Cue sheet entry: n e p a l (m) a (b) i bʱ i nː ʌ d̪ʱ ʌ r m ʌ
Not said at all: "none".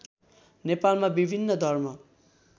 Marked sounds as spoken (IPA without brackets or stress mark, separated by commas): m, b